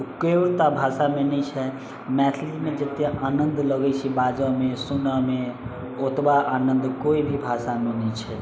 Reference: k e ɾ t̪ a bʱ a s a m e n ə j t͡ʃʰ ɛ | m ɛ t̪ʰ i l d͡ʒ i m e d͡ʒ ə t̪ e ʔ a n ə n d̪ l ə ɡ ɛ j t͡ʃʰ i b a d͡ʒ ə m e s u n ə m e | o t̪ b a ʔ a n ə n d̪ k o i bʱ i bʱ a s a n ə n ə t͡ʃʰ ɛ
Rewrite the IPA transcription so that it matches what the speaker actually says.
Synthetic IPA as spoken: k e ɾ t̪ a bʱ a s a m e n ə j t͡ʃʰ ɛ | m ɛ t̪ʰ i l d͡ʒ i m e d͡ʒ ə t̪ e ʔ a n ə n d̪ l ə ɡ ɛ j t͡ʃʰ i b a d͡ʒ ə m e s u n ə m e | o t̪ b a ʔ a n ə n d̪ k o i bʱ i bʱ a s a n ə n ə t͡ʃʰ ɛ